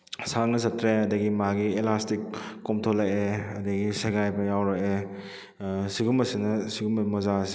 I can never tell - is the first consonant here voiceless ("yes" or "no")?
yes